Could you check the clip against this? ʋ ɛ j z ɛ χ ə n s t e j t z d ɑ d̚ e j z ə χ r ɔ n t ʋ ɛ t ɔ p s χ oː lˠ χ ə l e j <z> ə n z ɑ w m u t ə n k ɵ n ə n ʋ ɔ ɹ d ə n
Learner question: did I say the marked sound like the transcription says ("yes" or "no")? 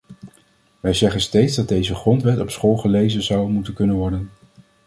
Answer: yes